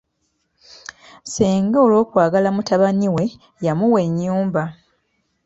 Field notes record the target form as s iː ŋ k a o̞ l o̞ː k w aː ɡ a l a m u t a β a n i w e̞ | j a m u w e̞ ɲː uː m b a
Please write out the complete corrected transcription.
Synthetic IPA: s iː ŋ ɡ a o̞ l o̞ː k w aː ɡ a l a m u t a β a n i w e̞ | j a m u w e̞ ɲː uː m b a